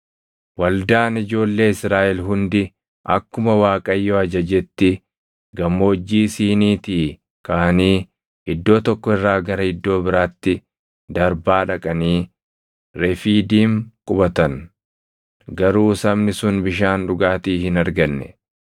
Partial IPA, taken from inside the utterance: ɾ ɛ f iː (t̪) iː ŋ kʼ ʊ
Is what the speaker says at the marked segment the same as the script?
no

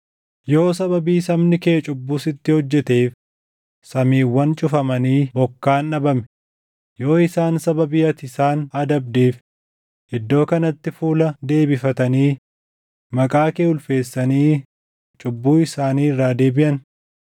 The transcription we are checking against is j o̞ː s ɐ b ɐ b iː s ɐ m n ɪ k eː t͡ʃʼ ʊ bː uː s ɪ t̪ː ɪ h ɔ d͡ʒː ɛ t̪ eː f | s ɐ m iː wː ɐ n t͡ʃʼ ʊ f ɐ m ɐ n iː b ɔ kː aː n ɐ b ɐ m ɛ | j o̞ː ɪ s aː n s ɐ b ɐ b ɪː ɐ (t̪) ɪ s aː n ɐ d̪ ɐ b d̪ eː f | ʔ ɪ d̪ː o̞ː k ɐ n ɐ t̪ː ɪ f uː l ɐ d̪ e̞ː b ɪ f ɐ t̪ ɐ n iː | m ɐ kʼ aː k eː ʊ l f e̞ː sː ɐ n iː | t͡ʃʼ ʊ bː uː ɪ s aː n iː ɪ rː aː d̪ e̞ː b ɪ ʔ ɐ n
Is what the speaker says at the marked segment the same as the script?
yes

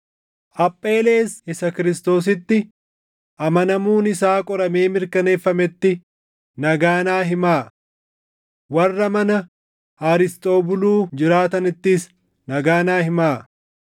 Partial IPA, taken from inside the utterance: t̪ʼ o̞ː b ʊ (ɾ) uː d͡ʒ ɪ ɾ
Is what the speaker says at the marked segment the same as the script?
no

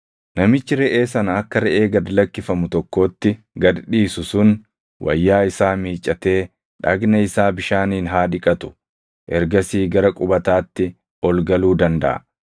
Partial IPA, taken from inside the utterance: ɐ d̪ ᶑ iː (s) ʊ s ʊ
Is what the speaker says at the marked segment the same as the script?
yes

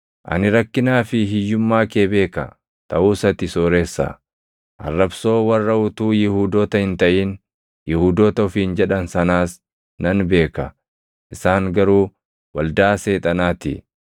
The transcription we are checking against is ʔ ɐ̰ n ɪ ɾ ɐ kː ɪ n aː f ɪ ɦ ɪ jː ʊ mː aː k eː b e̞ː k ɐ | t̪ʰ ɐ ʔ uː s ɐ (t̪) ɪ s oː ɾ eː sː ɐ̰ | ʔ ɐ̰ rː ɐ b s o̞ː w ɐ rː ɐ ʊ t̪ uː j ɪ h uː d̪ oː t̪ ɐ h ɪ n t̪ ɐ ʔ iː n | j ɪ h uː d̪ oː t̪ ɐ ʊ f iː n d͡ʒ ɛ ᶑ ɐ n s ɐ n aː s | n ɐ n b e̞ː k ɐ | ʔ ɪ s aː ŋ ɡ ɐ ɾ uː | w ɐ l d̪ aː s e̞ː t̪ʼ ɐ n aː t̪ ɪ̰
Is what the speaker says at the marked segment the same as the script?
yes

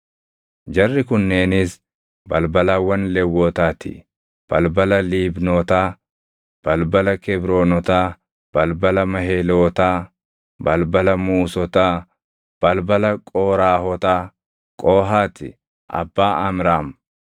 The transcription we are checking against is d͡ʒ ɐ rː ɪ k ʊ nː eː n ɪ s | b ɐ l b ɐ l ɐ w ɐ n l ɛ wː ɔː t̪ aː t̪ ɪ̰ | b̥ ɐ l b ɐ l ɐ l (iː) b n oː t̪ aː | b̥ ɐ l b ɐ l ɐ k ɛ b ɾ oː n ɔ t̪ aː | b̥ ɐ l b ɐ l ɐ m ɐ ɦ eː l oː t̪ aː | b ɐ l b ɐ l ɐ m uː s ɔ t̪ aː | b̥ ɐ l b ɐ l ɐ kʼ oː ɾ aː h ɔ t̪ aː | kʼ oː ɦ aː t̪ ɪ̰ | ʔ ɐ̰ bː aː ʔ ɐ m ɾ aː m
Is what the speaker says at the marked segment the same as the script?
yes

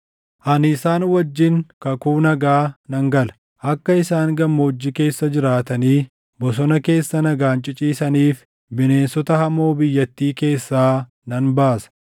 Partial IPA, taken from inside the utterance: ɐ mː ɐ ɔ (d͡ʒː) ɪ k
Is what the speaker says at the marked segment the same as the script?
yes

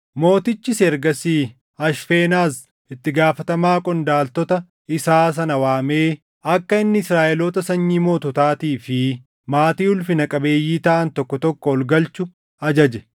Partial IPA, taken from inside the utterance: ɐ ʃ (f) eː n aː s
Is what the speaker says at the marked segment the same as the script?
yes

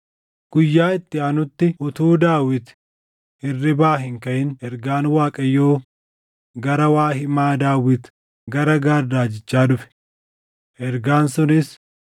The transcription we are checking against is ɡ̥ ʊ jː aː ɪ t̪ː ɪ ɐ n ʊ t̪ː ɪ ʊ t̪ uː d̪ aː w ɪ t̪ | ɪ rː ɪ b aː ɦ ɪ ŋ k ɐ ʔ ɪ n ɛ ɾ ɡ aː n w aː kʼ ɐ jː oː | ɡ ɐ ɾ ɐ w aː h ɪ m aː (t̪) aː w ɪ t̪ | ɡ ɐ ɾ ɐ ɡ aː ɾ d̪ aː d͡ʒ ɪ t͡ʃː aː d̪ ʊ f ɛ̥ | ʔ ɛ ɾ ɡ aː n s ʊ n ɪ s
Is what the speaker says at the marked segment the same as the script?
no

